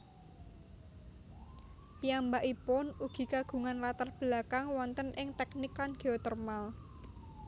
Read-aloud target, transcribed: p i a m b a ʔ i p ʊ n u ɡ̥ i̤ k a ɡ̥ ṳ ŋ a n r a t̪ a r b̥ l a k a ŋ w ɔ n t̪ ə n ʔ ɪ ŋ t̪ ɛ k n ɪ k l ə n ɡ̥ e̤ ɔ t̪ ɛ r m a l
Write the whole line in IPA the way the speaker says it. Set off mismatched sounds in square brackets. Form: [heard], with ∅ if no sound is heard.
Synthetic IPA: p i a m b a ʔ i p ʊ n u ɡ̥ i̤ k a ɡ̥ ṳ ŋ a n [l] a t̪ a r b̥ l a k a ŋ w ɔ n t̪ ə n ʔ ɪ ŋ t̪ ɛ k n ɪ k l [a] n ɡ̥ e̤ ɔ t̪ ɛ r m a l